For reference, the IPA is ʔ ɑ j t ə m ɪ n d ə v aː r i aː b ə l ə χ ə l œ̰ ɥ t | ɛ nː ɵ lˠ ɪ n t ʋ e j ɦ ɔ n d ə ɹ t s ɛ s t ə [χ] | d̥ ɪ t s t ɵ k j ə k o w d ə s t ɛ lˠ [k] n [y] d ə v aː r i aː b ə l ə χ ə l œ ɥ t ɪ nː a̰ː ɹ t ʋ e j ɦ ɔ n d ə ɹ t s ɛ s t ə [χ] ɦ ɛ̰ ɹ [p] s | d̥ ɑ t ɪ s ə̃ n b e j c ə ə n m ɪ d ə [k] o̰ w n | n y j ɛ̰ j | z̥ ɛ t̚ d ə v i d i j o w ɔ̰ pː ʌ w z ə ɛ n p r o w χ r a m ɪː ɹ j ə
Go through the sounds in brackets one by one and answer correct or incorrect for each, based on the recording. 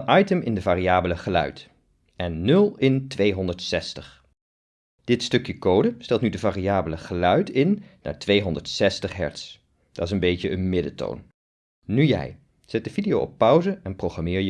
correct, incorrect: t, correct, correct, incorrect: t, incorrect: t

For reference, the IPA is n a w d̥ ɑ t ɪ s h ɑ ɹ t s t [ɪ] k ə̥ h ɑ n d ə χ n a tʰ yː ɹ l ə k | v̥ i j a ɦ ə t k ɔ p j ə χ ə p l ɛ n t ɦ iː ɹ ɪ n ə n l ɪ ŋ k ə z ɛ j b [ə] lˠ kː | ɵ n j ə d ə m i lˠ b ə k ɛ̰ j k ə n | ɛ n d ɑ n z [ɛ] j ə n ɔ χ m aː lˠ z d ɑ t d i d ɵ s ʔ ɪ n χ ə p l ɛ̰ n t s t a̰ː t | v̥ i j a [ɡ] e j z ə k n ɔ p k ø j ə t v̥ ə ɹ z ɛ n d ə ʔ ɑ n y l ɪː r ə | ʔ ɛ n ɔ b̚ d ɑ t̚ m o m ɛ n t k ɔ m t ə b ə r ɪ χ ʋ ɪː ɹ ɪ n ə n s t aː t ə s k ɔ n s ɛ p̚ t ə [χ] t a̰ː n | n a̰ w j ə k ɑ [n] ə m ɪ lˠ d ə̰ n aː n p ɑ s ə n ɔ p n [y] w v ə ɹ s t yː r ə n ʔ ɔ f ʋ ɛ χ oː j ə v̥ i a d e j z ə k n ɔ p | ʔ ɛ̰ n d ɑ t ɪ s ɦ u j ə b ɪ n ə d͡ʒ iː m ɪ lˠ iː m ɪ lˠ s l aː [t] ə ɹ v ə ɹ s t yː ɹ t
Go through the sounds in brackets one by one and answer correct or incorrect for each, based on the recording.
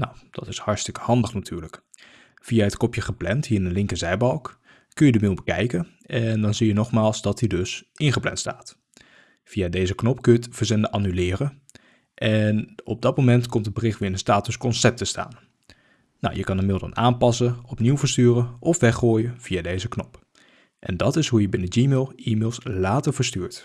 correct, incorrect: ɑ, incorrect: i, incorrect: d, incorrect: s, correct, incorrect: i, correct

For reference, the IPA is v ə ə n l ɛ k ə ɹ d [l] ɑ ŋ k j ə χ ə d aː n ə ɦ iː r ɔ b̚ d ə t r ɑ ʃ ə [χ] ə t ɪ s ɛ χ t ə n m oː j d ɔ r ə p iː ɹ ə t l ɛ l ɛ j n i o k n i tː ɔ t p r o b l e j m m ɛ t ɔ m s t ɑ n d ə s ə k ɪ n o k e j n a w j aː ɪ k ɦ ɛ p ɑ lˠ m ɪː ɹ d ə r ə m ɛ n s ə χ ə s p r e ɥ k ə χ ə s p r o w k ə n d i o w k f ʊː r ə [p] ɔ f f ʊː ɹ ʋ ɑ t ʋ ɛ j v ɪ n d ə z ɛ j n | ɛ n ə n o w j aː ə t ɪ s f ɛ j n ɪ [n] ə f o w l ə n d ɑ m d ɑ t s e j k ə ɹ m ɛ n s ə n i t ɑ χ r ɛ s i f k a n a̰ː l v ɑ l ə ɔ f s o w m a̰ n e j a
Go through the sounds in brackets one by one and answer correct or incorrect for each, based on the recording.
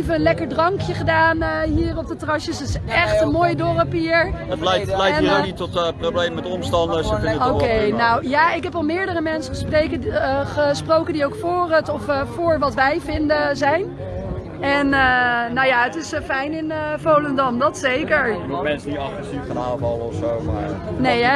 incorrect: r, incorrect: s, incorrect: t, correct

